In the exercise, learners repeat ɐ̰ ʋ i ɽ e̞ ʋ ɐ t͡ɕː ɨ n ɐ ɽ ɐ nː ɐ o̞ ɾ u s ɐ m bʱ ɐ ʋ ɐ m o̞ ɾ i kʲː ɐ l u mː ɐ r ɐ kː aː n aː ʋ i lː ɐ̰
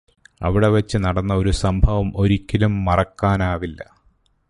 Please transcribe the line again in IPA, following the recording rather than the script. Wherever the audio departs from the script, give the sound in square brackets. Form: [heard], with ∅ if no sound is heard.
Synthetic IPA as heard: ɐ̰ ʋ i ɽ e̞ ʋ ɐ t͡ɕː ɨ n ɐ ɽ ɐ nː ɐ o̞ ɾ u s ɐ m bʱ ɐ ʋ ɐ m o̞ ɾ i kʲː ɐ l u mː ɐ r ɐ kː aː n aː ʋ i lː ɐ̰

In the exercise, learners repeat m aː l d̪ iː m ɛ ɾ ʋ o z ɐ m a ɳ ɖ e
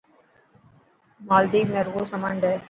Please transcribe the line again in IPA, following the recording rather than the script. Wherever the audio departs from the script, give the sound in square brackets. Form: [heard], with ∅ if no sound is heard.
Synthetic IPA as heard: m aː l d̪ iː m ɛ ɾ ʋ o [s] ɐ m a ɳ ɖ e

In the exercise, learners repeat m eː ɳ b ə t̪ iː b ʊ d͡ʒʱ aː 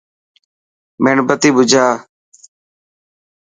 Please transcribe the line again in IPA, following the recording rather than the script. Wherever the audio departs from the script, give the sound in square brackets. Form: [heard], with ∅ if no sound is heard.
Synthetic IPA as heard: m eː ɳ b ə t̪ iː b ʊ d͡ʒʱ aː

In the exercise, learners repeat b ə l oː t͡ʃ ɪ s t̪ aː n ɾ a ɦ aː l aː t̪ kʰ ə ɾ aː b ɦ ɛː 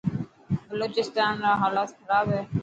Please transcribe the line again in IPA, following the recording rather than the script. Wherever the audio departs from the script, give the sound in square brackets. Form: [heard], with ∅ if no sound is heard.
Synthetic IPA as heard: b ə l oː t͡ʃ ɪ s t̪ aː n ɾ a ɦ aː l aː t̪ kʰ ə ɾ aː b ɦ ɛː

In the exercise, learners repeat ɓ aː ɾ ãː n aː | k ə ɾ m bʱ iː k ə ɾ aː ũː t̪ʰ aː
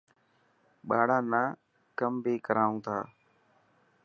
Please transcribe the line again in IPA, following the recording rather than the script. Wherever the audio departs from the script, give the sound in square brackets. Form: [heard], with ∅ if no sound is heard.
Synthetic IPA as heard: ɓ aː [ɽ] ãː n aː | k ə [∅] m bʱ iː k ə ɾ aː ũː t̪ʰ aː

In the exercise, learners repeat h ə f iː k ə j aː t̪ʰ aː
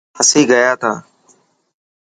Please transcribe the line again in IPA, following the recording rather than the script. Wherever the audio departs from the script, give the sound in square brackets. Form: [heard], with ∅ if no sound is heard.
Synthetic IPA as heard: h ə [s] iː [ɡ] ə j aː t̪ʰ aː

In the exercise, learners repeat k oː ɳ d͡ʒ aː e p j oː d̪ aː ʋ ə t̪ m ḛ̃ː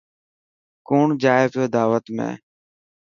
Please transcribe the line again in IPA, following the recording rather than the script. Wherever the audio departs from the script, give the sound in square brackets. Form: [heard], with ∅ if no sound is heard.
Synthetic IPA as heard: k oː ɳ d͡ʒ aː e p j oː d̪ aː ʋ ə t̪ m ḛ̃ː

